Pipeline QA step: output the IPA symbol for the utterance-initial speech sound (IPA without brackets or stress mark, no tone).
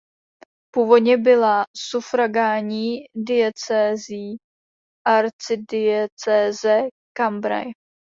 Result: p